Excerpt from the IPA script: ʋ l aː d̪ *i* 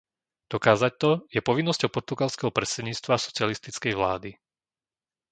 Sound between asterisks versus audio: correct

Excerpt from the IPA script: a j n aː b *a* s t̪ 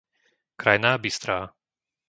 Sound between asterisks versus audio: incorrect: i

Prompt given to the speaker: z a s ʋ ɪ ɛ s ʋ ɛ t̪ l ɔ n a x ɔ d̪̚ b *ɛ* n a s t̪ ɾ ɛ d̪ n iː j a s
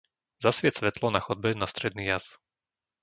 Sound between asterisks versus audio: correct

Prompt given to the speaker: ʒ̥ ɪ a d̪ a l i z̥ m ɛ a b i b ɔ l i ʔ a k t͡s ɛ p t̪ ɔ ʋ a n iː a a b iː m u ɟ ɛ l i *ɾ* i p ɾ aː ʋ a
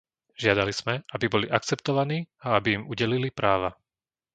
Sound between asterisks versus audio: incorrect: l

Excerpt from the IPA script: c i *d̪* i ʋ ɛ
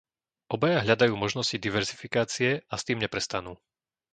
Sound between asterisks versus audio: correct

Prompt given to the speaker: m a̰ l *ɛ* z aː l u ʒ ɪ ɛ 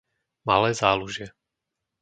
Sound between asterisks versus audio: incorrect: ɛː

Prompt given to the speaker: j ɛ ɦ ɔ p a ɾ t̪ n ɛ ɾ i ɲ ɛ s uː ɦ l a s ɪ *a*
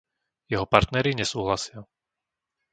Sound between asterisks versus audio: correct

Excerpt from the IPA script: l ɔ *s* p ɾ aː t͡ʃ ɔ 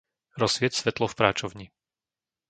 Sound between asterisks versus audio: incorrect: f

